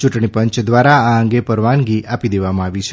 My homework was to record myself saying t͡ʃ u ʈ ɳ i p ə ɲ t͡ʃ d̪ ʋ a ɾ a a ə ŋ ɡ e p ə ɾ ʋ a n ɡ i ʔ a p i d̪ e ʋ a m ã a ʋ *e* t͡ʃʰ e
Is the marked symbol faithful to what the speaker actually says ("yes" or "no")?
no